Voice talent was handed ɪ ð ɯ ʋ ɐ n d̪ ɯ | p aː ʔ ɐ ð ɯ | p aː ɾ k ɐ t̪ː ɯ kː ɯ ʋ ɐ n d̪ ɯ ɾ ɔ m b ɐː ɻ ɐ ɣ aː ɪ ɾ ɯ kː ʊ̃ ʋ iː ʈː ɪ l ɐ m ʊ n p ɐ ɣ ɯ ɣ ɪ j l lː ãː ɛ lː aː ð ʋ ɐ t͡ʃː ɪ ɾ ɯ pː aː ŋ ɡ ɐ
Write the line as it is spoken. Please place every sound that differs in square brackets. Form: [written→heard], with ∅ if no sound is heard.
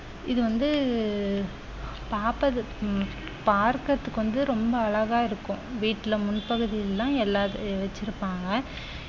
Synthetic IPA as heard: ɪ ð ɯ ʋ ɐ n d̪ ɯ | p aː [ʔ→p] ɐ ð ɯ | p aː ɾ k ɐ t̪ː ɯ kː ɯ ʋ ɐ n d̪ ɯ ɾ ɔ m b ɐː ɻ ɐ ɣ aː ɪ ɾ ɯ kː ʊ̃ ʋ iː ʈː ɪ l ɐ m ʊ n p ɐ ɣ ɯ [ɣ→ð] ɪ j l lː ãː ɛ lː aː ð ʋ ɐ t͡ʃː ɪ ɾ ɯ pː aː ŋ ɡ ɐ

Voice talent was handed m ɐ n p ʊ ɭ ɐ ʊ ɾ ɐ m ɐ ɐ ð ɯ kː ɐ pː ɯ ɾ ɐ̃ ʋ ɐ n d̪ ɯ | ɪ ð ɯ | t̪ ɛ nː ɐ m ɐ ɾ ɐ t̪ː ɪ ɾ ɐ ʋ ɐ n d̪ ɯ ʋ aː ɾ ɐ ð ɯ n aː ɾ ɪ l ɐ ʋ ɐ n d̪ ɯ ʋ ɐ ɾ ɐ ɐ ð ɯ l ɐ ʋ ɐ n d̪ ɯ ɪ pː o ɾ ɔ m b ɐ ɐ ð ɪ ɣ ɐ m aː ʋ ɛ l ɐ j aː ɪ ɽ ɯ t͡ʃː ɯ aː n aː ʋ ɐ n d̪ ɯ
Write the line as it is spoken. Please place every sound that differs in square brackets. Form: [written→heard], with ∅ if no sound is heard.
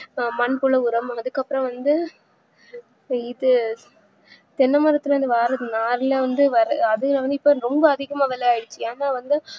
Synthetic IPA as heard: m ɐ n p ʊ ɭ ɐ ʊ ɾ ɐ m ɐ ɐ ð ɯ kː ɐ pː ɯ ɾ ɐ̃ ʋ ɐ n d̪ ɯ | ɪ ð ɯ | t̪ ɛ nː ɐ m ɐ ɾ ɐ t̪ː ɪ [ɾ→l] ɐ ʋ ɐ n d̪ ɯ ʋ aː ɾ ɐ ð ɯ n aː ɾ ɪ l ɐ ʋ ɐ n d̪ ɯ ʋ ɐ ɾ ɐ ɐ ð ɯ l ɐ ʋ ɐ n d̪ ɯ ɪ pː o ɾ ɔ m b ɐ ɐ ð ɪ ɣ ɐ m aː ʋ ɛ l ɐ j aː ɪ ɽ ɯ t͡ʃː ɯ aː n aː ʋ ɐ n d̪ ɯ

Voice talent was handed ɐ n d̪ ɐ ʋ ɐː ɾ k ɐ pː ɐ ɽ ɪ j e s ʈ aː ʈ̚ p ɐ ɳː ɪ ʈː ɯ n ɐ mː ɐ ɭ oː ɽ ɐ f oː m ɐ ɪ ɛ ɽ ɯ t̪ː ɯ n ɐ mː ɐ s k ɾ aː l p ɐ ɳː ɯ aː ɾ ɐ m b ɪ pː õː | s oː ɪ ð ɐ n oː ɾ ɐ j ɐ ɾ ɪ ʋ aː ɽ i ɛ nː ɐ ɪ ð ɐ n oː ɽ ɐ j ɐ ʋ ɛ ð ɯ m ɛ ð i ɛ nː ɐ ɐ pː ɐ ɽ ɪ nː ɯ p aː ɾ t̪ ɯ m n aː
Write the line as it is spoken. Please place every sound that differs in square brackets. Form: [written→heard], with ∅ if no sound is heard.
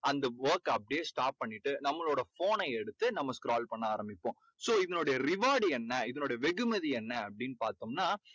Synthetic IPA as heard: ɐ n d̪ ɐ ʋ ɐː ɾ k ɐ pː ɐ ɽ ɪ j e s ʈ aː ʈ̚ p ɐ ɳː ɪ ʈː ɯ n ɐ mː ɐ ɭ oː ɽ ɐ f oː [m→n] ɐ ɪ ɛ ɽ ɯ t̪ː ɯ n ɐ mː ɐ s k ɾ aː l p ɐ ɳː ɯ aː ɾ ɐ m b ɪ pː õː | s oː ɪ ð ɐ n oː [ɾ→ɽ] ɐ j ɐ ɾ ɪ ʋ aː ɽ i ɛ nː ɐ ɪ ð ɐ n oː ɽ ɐ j ɐ ʋ ɛ [ð→ɣ] ɯ m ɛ ð i ɛ nː ɐ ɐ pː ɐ ɽ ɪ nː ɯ p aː ɾ t̪ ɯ m n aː

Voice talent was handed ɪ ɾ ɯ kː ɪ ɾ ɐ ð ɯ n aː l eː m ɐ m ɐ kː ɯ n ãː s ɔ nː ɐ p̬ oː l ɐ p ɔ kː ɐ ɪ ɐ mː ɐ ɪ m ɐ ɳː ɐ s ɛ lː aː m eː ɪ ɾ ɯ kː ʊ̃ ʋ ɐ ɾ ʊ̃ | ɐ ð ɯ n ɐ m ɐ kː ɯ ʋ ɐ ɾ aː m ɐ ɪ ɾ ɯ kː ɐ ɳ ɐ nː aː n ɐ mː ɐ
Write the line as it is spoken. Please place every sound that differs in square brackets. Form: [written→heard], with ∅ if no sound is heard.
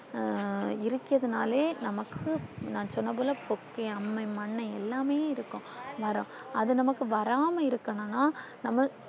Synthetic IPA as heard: ɪ ɾ ɯ kː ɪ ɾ ɐ ð ɯ n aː l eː [m→n] ɐ m ɐ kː ɯ n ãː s ɔ nː ɐ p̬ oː l ɐ p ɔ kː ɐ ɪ ɐ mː ɐ ɪ m ɐ ɳː ɐ [s→∅] ɛ lː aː m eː ɪ ɾ ɯ kː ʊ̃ ʋ ɐ ɾ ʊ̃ | ɐ ð ɯ n ɐ m ɐ kː ɯ ʋ ɐ ɾ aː m ɐ ɪ ɾ ɯ kː ɐ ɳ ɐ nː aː n ɐ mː ɐ

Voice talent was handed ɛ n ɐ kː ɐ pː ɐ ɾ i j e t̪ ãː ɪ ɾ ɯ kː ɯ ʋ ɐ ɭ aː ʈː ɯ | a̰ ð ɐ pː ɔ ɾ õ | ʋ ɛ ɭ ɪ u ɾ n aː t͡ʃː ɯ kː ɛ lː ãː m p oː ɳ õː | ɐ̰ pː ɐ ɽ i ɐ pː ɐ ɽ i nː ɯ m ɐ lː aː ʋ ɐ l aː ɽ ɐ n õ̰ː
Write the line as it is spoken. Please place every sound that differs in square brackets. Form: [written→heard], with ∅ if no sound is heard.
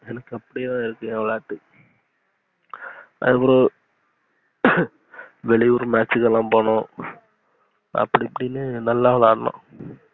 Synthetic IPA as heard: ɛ n ɐ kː ɐ pː ɐ [ɾ→ɽ] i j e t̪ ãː ɪ ɾ ɯ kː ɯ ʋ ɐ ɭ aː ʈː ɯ | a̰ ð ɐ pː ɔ ɾ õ | ʋ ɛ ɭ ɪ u ɾ [n→m] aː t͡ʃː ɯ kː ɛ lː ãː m p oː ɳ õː | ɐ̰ pː ɐ ɽ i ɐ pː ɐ ɽ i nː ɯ [m→n] ɐ lː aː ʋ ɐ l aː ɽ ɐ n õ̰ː

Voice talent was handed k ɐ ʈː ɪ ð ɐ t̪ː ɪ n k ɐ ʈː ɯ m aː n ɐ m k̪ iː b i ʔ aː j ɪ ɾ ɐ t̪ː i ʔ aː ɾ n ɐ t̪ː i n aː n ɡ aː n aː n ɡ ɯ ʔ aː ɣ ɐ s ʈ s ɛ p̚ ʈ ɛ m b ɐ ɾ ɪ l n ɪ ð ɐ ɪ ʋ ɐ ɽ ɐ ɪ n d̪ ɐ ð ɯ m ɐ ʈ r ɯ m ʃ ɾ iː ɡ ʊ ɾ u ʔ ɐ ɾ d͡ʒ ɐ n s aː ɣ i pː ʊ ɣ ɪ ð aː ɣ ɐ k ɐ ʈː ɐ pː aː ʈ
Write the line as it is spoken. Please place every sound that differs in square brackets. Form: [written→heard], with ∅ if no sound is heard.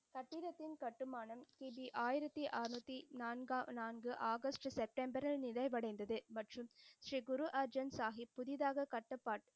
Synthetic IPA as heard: k ɐ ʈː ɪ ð ɐ t̪ː ɪ n k ɐ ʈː ɯ m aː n ɐ m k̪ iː b i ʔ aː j ɪ ɾ ɐ t̪ː i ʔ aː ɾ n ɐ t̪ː i n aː n ɡ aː n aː n ɡ ɯ ʔ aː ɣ ɐ s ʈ s ɛ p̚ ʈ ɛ m b ɐ ɾ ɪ l n ɪ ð ɐ ɪ ʋ ɐ ɽ ɐ ɪ n d̪ ɐ ð ɯ m ɐ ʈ r ɯ m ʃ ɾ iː ɡ ʊ ɾ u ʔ ɐ ɾ d͡ʒ ɐ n s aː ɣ i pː ʊ [ɣ→ð] ɪ ð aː ɣ ɐ k ɐ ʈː ɐ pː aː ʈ

